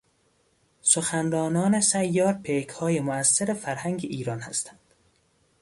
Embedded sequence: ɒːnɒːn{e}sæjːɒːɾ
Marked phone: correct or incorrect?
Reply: correct